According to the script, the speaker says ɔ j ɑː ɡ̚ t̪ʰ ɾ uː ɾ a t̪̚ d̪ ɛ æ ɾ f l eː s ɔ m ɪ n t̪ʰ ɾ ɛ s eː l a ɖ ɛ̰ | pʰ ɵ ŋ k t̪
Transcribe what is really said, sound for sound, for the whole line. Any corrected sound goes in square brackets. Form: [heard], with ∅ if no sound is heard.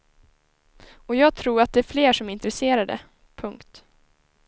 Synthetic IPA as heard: ɔ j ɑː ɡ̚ t̪ʰ ɾ uː ɾ a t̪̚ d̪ ɛ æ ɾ f l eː [ʂ] ɔ m ɪ n [t̪] ɾ ɛ s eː [ɾ] a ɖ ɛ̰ | pʰ ɵ ŋ k t̪

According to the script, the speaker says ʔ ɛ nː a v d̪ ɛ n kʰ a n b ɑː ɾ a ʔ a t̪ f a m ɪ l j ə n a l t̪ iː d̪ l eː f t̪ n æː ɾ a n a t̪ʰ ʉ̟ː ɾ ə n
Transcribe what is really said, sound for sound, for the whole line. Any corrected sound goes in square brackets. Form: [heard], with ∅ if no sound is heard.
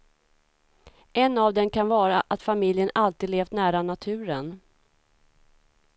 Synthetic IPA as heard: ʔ ɛ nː a v d̪ ɛ n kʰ a n [v] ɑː ɾ a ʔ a t̪ f a m ɪ l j ə n a l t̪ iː d̪ l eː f t̪ n æː ɾ a n a t̪ʰ ʉ̟ː ɾ ə n

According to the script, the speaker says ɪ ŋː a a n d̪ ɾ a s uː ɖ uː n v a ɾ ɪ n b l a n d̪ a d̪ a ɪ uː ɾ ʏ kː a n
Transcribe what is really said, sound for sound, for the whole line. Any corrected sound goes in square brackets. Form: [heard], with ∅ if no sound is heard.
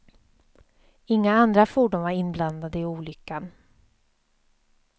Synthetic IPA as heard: ɪ ŋː a a n d̪ ɾ a [f] uː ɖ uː n v a ɾ ɪ n b l a n d̪ a d̪ [ə] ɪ uː [l] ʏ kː a n

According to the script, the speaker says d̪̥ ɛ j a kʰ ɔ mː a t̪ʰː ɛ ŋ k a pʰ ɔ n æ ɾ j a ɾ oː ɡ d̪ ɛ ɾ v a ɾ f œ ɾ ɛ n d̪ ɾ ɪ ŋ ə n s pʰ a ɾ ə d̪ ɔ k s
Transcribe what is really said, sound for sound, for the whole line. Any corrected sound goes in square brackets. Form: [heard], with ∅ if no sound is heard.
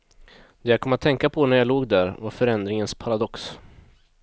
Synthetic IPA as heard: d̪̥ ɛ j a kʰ ɔ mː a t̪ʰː ɛ ŋ k a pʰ ɔ n æ ɾ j a [l] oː ɡ d̪ [æ] ɾ v a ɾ f œ ɾ ɛ n d̪ ɾ ɪ ŋ ə n s pʰ a ɾ [a] d̪ ɔ k s

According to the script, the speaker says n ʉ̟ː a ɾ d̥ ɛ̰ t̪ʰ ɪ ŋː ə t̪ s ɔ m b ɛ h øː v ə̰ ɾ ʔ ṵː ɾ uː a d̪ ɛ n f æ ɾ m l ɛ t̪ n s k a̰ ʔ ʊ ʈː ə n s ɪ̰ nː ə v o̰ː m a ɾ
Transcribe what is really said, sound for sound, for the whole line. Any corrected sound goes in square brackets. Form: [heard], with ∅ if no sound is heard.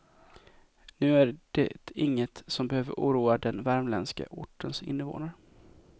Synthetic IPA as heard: n ʉ̟ː [æ] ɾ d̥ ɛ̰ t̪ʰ ɪ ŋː ə t̪ s ɔ m b ɛ h øː v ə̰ ɾ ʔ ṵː ɾ uː a d̪ ɛ n [v] æ ɾ m l ɛ [∅] n s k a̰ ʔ ʊ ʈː ə n s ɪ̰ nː ə v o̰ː [n] a ɾ

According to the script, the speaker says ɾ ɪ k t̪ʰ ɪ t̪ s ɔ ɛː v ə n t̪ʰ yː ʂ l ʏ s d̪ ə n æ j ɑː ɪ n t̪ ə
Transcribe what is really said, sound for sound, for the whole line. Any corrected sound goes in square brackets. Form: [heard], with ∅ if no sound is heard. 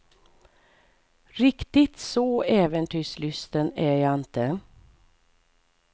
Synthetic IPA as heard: ɾ ɪ k [t̪] ɪ t̪ s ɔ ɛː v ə n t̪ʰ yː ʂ l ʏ s [t̪] ə n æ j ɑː ɪ n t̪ ə

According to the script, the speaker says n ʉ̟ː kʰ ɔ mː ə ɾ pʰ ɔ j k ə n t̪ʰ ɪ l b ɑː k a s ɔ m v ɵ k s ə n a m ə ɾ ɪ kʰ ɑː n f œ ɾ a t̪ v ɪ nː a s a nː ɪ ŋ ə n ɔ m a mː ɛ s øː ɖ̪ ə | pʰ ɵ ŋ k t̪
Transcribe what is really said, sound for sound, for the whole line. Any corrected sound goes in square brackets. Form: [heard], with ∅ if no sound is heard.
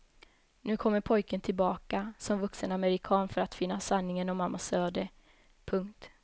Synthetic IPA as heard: n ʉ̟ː kʰ ɔ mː ə ɾ pʰ ɔ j k ə n t̪ʰ ɪ l b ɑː k a s ɔ m v ɵ k s ə n a m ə ɾ ɪ kʰ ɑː n f œ ɾ a t̪ [f] ɪ nː a s a nː ɪ ŋ ə n ɔ m a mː [a] s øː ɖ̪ ə | pʰ ɵ ŋ k t̪

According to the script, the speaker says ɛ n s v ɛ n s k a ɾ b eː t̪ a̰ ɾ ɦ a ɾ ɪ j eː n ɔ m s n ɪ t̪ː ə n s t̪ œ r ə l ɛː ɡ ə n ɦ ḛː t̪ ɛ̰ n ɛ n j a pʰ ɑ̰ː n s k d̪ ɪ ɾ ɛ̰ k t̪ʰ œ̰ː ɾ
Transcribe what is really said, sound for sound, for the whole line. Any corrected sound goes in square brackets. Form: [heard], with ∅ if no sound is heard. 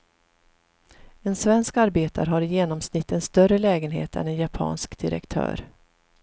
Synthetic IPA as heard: ɛ n s v ɛ n s k a ɾ b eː t̪ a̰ ɾ ɦ a ɾ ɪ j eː n ɔ m s n ɪ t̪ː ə n s t̪ œ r ə l ɛː ɡ ə n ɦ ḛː t̪ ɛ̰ n ɛ n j a pʰ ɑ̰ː n s k d̪ ɪ ɾ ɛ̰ k t̪ʰ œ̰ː ɾ

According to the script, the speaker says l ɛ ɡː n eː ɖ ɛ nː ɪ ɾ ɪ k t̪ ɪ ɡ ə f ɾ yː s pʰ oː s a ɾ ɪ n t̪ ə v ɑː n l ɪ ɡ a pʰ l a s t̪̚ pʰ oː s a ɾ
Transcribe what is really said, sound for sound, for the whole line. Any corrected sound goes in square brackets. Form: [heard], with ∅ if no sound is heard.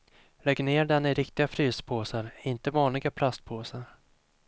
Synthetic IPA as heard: l ɛ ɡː n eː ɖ ɛ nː ɪ ɾ ɪ k t̪ ɪ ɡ [a] f ɾ yː s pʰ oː s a ɾ ɪ n t̪ ə v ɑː n l ɪ ɡ a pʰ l a s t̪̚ pʰ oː s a ɾ

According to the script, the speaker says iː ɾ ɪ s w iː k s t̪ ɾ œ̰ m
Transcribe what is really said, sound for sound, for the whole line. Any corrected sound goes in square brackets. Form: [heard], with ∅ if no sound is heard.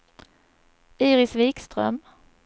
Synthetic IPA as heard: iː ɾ ɪ s [v] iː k s t̪ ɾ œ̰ m

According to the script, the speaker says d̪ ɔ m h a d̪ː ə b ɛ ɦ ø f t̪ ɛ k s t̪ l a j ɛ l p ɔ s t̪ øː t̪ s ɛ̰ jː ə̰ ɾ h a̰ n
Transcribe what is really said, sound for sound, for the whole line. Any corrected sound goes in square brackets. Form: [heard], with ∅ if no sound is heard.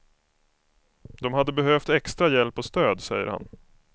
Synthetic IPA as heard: d̪ ɔ m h a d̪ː ə b ɛ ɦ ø f t̪ ɛ k s t̪ [ɾ] a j ɛ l p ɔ s t̪ øː [d̪] s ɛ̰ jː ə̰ ɾ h a̰ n

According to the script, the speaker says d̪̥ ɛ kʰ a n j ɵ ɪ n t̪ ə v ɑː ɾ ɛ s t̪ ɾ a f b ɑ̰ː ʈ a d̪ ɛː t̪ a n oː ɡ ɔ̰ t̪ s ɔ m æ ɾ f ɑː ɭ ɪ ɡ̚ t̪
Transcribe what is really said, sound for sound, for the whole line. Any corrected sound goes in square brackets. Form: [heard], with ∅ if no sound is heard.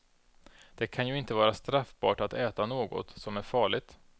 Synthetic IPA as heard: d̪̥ ɛ kʰ a n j ɵ ɪ n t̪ ə v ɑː ɾ [a] s t̪ ɾ a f b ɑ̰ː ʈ a [t̪] ɛː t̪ a n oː ɡ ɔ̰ t̪ s ɔ m æ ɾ f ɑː ɭ ɪ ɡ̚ t̪

